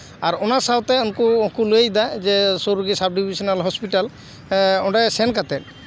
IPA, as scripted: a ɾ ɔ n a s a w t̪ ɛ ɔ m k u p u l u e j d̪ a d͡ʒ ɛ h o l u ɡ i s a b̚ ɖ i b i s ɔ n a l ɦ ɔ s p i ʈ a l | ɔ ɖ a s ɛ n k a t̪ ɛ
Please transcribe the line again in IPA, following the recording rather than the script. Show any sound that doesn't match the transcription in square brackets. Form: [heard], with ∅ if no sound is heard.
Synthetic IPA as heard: a ɾ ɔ n a s a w t̪ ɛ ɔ [n] k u [k] u l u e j d̪ a d͡ʒ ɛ [s] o [ɾ] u ɡ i s a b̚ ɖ i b i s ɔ n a l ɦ ɔ s p i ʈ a l | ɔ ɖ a s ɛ n k a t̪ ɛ